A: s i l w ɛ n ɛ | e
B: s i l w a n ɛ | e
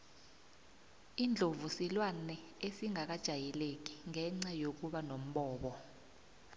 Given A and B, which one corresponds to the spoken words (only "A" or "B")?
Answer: B